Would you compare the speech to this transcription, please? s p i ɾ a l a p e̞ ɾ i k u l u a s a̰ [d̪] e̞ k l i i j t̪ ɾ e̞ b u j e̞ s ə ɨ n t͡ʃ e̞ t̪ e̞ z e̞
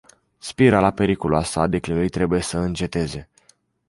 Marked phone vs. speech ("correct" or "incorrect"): correct